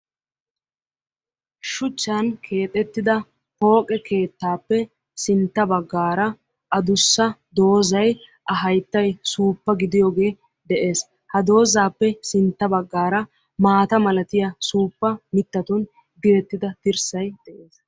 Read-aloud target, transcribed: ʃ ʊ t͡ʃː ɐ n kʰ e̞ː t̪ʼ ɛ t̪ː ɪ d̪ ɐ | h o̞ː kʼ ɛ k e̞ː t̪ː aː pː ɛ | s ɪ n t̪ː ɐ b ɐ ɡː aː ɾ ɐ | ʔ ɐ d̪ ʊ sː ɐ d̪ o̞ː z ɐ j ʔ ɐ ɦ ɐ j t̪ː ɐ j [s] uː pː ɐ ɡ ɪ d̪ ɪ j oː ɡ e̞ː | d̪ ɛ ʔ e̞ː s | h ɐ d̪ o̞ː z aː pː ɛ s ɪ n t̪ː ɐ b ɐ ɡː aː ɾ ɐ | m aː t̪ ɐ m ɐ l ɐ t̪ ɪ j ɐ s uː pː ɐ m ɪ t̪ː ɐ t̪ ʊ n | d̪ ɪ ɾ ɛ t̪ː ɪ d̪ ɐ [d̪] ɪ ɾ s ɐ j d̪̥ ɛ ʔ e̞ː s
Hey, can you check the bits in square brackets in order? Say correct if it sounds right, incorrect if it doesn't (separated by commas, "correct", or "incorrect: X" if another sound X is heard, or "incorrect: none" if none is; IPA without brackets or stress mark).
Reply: correct, incorrect: t̪